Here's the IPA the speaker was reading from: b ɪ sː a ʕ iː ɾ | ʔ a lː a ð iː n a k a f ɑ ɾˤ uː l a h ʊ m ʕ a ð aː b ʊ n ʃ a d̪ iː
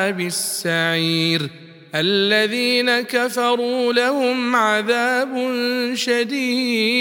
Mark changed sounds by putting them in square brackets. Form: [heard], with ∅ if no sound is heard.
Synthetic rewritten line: b ɪ sː a ʕ iː ɾ | ʔ a lː a ð iː n a k a f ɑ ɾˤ uː l a h ʊ m ʕ a ð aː b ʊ n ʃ a d̪ iː